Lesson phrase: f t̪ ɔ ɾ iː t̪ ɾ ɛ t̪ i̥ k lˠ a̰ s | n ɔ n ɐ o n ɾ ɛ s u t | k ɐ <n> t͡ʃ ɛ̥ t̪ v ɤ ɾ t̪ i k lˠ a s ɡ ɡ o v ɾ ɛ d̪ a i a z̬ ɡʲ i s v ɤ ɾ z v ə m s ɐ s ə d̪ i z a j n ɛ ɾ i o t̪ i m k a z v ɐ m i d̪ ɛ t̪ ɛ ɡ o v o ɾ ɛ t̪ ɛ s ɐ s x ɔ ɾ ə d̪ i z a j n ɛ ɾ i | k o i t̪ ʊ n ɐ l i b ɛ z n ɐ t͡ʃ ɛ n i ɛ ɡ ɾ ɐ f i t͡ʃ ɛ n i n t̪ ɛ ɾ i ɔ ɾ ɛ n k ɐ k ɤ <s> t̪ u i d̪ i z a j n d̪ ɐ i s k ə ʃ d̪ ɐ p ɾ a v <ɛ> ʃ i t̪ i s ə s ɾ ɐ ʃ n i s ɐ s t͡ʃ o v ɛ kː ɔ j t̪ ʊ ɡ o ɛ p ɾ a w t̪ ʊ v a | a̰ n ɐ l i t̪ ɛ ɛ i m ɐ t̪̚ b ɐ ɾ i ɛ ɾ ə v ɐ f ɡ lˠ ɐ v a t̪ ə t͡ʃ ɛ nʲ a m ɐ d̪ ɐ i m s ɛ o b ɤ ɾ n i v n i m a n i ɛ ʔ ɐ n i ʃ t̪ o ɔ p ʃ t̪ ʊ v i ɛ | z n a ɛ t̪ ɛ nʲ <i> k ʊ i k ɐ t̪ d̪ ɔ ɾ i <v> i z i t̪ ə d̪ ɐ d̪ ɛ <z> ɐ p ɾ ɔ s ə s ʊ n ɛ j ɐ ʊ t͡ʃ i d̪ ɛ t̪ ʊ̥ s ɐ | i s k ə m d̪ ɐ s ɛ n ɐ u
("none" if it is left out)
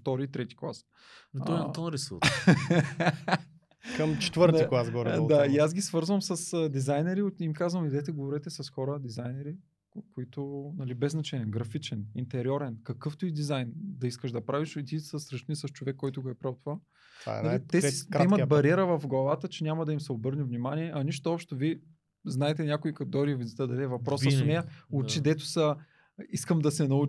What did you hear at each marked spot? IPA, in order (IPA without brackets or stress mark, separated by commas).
m, f, i, a, v, v